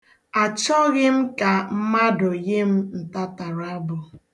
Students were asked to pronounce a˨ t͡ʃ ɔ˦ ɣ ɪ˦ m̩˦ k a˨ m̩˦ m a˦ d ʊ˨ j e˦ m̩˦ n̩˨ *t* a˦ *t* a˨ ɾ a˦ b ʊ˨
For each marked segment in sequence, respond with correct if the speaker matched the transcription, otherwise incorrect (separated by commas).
correct, correct